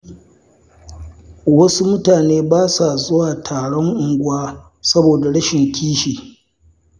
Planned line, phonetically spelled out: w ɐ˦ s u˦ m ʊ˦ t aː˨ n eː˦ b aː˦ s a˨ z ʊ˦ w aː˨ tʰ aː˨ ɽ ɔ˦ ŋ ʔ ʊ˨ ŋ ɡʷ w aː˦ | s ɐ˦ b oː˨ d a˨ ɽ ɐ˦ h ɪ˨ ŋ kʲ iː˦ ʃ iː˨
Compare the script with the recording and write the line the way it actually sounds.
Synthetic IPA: w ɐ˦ s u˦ m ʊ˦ t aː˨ n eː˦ b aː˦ s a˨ z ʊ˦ w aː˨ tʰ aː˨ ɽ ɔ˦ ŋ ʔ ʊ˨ ŋ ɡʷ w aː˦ | s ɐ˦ b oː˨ d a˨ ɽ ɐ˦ ʃ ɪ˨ ŋ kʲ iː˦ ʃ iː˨